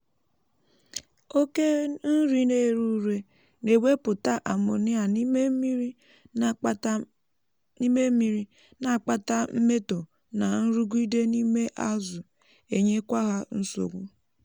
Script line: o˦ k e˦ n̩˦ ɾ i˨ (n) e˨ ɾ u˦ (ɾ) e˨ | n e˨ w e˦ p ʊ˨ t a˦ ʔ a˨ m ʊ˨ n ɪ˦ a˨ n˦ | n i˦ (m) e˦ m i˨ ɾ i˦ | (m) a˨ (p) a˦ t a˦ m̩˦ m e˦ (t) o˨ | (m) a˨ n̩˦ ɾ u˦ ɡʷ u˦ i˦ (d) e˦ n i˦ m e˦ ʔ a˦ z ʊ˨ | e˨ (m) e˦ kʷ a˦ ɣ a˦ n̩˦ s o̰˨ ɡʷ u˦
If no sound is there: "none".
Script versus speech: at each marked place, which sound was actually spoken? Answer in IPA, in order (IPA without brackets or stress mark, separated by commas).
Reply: n, ɾ, m, n, k͡p, t, n, d, ɲ